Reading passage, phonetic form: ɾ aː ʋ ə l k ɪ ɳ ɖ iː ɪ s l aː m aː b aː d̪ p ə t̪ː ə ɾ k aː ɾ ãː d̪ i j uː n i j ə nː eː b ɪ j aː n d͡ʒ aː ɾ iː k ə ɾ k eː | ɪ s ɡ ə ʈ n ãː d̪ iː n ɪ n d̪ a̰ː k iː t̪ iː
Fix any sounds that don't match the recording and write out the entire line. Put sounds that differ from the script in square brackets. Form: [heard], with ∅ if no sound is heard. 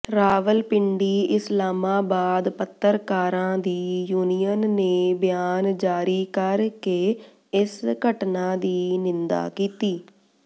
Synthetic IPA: ɾ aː ʋ ə l [p] ɪ ɳ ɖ iː ɪ s l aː m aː b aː d̪ p ə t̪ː ə ɾ k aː ɾ ãː d̪ [iː] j uː n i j ə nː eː b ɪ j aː n d͡ʒ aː ɾ iː k ə ɾ k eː | ɪ s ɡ ə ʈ n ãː d̪ iː n ɪ n d̪ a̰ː k iː t̪ iː